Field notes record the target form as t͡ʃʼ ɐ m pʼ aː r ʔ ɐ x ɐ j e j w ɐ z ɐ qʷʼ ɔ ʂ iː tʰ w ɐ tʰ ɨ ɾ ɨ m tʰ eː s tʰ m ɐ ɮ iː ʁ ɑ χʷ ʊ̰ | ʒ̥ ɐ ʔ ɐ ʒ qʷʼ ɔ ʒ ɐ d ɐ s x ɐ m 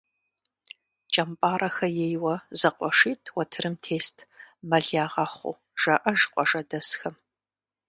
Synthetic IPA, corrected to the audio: t͡ʃʼ ɐ m pʼ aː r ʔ ɐ x ɐ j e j w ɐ z ɐ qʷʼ ɔ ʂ iː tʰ w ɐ tʰ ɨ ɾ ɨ m tʰ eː s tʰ m ɐ ɮ aː ʁ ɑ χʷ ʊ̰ | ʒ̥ ɐ ʔ ɐ ʒ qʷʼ ɔ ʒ ɐ d ɐ s x ɐ m